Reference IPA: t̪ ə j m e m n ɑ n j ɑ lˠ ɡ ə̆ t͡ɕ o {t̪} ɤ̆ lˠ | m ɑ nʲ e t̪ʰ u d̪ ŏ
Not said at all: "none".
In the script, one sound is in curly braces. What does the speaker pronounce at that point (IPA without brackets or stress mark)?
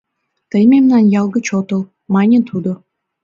t̪